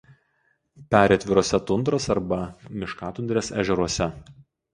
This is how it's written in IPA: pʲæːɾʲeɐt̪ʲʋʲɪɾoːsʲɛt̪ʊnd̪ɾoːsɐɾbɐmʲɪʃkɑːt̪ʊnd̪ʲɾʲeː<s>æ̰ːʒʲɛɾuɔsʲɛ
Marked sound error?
no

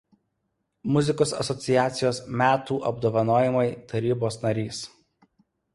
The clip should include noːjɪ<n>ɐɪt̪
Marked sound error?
yes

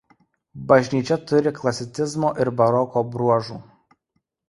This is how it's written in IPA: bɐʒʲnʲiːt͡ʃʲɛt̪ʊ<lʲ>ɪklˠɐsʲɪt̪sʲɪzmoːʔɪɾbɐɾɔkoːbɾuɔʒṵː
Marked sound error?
yes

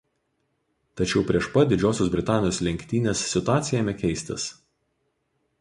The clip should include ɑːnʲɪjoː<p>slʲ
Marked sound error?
yes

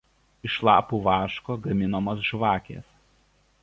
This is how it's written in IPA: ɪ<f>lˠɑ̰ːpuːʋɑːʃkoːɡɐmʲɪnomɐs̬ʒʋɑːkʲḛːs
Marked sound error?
yes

